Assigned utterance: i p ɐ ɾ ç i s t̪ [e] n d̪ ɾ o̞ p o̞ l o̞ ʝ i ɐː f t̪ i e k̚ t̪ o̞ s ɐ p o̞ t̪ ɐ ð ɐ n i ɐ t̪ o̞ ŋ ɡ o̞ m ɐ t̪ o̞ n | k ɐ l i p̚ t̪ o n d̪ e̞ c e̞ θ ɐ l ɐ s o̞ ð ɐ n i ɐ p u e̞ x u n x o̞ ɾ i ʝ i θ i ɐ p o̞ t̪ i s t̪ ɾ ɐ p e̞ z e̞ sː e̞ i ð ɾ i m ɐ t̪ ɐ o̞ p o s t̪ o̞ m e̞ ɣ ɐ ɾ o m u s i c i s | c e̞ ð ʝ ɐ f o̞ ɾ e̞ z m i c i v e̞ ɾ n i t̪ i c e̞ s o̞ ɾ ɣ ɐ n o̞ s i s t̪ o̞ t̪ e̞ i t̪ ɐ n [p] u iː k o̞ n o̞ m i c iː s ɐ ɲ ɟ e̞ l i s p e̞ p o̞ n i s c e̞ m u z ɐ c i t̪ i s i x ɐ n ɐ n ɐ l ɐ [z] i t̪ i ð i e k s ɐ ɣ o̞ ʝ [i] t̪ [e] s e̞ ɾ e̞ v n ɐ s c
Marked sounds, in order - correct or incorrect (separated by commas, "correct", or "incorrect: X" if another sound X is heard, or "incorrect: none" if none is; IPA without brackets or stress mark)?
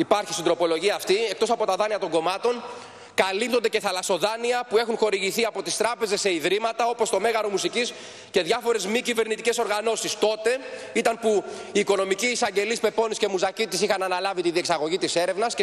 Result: incorrect: i, correct, incorrect: v, correct, incorrect: i